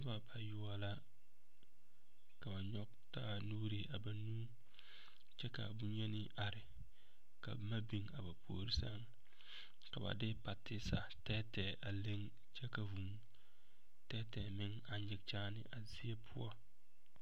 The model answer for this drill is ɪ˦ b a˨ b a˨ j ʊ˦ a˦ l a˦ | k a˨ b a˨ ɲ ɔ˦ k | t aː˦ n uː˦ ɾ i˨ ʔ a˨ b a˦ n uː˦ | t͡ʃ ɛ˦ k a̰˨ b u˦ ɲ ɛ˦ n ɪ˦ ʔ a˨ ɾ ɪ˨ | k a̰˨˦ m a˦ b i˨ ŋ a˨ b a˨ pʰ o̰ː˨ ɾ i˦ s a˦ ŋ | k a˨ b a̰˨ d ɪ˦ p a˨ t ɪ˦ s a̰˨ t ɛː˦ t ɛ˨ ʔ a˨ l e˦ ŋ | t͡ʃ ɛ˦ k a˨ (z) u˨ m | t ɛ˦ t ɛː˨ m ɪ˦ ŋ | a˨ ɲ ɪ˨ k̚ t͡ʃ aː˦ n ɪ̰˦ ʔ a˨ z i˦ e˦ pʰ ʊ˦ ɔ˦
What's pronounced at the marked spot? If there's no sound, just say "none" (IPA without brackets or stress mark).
v